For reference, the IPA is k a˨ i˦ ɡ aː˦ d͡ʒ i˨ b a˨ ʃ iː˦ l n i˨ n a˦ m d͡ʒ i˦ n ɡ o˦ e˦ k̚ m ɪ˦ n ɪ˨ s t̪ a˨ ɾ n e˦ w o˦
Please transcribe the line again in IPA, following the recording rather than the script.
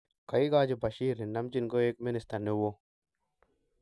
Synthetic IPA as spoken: k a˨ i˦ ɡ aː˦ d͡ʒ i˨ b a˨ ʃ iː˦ ɾ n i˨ n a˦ m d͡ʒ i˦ n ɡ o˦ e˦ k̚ m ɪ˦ n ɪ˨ s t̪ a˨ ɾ n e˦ w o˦